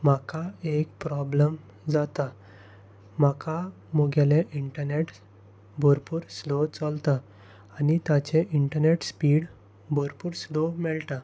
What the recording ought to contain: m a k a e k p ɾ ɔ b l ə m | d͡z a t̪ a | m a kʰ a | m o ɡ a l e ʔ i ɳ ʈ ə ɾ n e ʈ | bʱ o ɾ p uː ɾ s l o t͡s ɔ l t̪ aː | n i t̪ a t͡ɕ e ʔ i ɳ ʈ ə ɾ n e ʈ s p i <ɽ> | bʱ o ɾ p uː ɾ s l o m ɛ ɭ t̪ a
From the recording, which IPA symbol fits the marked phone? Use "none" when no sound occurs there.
ɽ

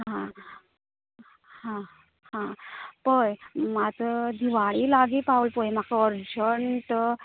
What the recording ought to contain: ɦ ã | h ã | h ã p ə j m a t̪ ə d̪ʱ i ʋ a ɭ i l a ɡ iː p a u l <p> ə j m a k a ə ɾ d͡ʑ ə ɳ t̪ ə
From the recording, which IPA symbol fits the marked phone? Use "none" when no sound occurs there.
p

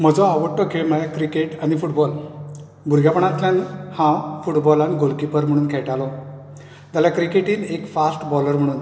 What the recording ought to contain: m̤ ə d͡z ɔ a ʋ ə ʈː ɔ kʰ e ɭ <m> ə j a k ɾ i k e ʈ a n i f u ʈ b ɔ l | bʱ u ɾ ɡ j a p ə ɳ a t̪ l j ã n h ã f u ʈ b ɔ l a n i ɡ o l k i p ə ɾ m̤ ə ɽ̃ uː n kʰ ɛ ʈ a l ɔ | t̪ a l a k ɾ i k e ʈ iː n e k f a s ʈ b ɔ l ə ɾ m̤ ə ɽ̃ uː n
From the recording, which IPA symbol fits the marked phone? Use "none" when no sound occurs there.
m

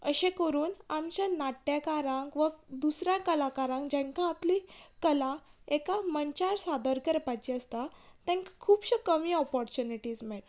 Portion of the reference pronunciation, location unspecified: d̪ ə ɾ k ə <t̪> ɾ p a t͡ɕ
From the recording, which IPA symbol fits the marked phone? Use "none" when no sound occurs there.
none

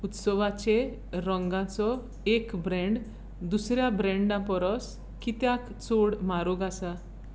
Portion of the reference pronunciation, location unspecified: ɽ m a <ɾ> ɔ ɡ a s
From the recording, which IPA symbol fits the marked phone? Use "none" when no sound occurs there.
ɾ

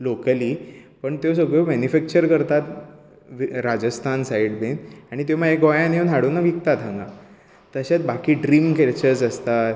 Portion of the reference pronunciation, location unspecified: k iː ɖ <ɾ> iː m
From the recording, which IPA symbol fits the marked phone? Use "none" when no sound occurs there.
ɾ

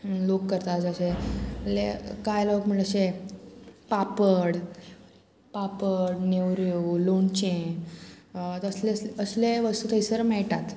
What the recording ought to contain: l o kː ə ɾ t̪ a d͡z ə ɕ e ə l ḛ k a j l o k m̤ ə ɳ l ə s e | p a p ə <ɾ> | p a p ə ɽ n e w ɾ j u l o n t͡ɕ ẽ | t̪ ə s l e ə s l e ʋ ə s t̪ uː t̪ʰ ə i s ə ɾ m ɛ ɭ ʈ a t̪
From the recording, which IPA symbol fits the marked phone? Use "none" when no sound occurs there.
ɽ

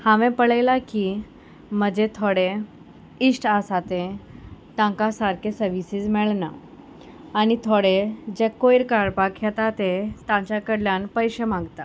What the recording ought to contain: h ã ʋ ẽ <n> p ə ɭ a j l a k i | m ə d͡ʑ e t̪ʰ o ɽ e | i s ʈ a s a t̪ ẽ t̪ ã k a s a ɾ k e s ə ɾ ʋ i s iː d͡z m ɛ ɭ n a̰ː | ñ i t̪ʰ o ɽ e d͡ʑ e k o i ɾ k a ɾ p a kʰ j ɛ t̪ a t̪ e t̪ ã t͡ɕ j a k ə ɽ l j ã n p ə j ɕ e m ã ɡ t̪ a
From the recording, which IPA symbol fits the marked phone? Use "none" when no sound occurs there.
none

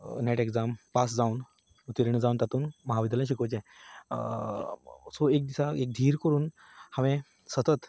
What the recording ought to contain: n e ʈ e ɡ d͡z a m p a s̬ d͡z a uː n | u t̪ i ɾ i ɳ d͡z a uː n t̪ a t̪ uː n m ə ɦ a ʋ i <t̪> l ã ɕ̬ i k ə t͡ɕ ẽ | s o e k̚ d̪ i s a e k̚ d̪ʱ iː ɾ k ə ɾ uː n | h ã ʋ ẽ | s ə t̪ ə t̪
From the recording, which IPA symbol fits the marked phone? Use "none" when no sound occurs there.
d̪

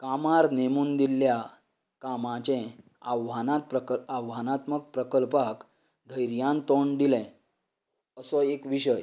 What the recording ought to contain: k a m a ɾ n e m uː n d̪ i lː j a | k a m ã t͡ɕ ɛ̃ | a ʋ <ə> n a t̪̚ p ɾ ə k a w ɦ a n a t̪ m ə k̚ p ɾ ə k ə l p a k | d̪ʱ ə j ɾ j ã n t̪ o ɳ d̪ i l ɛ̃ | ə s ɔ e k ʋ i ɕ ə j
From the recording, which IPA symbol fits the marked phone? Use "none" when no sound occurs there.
a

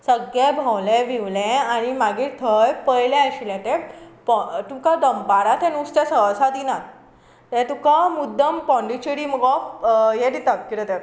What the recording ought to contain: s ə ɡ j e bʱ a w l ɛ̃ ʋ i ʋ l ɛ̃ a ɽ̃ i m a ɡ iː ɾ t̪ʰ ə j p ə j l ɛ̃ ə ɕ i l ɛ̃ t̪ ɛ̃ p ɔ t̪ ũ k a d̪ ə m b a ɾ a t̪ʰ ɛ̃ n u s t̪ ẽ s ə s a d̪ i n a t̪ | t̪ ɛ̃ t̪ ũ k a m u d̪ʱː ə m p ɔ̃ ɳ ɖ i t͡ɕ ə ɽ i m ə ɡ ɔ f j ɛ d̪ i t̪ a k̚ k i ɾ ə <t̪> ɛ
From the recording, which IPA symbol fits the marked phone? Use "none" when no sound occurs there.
t̪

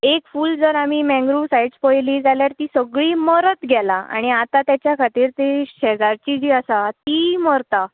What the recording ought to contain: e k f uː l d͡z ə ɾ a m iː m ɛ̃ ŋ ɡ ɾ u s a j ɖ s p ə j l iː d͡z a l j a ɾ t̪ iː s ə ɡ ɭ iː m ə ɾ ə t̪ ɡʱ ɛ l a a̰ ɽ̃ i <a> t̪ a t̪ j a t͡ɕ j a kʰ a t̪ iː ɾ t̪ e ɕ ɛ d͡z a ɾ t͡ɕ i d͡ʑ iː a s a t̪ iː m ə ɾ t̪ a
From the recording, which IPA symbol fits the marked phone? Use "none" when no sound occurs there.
a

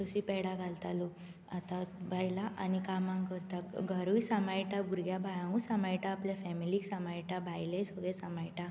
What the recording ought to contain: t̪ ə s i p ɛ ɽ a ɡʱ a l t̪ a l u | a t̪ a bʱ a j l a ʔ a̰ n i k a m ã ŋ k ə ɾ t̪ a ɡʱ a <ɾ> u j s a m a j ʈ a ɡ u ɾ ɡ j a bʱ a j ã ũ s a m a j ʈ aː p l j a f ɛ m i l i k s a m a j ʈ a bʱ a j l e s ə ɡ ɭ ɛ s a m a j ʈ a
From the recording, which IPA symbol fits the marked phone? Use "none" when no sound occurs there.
ɾ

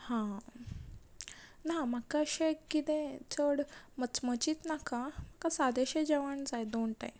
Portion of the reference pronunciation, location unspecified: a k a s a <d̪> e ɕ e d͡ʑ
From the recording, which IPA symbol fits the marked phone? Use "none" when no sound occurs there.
d̪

